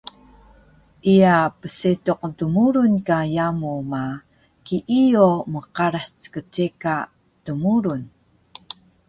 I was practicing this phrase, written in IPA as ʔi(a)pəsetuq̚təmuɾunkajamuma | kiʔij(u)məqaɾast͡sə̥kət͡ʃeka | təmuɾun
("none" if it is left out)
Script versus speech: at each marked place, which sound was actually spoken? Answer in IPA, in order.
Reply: a, o

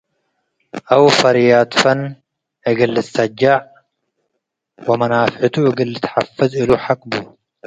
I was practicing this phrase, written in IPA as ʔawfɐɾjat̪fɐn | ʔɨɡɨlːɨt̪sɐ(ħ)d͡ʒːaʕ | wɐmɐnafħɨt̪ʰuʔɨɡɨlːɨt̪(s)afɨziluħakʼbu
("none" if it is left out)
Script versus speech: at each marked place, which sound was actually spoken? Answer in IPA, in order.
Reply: none, ħ

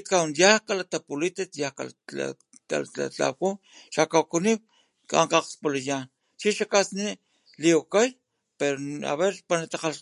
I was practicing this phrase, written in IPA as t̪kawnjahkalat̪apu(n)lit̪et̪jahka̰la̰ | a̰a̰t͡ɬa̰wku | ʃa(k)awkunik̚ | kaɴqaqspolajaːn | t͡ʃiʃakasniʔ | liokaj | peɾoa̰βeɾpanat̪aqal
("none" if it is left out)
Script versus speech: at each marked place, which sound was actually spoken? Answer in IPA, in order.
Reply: none, k

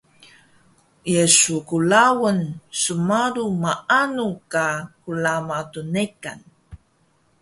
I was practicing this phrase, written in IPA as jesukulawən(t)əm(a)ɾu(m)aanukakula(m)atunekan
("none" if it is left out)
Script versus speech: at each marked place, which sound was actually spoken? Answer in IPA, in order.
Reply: s, a, m, m

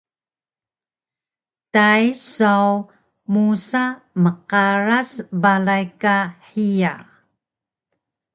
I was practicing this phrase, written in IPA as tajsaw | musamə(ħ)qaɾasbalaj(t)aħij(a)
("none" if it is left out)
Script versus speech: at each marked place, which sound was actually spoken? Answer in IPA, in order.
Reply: none, k, a

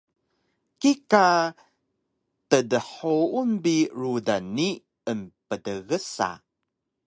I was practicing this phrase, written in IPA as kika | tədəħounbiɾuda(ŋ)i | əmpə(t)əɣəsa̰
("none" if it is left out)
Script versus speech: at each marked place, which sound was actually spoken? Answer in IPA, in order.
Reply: n, d

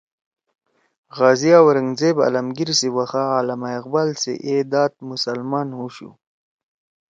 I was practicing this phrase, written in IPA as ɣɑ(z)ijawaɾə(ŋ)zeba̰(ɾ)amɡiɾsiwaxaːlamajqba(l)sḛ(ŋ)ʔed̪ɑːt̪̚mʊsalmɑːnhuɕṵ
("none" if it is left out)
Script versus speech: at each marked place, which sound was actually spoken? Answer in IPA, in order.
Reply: z, ŋ, l, l, none

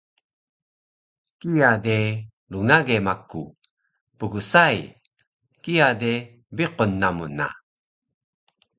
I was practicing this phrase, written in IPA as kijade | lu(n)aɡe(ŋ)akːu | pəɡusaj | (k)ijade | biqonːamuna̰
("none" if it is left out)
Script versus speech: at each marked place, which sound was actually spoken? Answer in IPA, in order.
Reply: ŋ, m, k

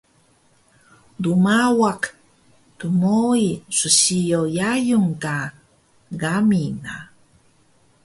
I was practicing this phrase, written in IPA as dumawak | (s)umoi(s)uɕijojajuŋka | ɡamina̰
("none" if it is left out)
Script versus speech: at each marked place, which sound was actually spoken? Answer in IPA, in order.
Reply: t, s

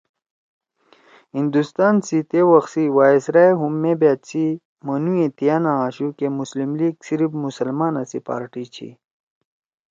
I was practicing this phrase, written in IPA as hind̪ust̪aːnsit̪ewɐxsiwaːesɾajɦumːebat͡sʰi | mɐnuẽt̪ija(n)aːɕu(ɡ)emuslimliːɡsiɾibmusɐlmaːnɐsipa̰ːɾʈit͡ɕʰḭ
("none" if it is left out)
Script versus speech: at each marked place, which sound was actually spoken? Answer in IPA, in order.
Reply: n, k

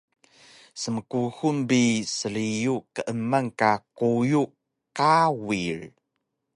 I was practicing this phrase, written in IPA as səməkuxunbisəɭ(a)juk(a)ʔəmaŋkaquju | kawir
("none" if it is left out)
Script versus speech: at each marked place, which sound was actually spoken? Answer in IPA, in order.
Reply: i, ə

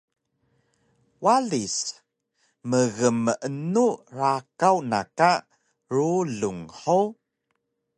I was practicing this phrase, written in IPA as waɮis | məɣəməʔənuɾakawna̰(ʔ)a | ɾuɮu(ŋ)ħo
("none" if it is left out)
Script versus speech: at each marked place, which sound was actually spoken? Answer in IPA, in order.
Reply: k, ŋ

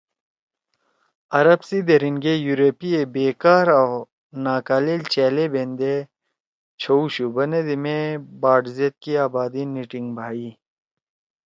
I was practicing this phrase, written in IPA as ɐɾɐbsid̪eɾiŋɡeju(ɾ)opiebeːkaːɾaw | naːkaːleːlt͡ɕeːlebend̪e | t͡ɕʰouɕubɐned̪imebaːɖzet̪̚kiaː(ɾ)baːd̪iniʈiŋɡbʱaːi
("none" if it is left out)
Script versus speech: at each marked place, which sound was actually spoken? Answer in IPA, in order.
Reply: ɾ, none

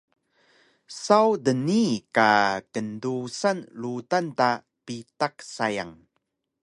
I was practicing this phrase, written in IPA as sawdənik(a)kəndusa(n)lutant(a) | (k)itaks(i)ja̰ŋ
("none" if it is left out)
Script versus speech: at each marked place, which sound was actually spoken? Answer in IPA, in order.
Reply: a, n, a, p, a

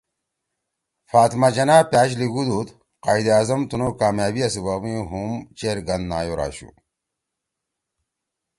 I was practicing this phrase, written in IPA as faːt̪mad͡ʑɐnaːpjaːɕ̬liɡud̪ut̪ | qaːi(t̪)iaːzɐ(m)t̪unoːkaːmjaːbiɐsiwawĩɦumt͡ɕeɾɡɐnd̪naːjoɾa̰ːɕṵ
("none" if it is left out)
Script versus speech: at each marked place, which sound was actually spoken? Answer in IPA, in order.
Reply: d̪, m

